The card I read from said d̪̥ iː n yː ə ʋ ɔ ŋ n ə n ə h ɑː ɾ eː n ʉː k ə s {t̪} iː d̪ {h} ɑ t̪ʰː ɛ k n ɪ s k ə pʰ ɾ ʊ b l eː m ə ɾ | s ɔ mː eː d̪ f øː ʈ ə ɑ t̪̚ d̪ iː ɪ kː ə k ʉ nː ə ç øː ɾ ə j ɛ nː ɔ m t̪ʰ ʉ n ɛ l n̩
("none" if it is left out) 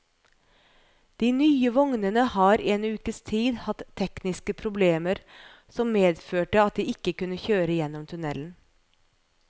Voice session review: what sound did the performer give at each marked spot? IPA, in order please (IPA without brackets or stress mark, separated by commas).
t̪ʰ, h